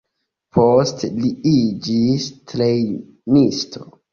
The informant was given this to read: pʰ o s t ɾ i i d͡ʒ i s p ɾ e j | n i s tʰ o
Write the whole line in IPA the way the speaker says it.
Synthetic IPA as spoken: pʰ o s t l i i d͡ʒ i s t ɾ e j | n i s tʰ o